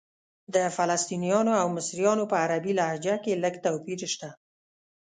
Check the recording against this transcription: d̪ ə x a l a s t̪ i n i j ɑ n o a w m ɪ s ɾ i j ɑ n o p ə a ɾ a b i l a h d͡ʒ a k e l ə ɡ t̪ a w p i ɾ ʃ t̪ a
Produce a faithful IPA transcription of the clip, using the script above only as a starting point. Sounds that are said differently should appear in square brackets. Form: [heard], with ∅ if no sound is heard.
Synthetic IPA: d̪ ə [f] a l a s t̪ i n i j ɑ n o a w m ɪ s ɾ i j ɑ n o p ə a ɾ a b i l a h d͡ʒ a k e l ə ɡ t̪ a w p i ɾ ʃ t̪ a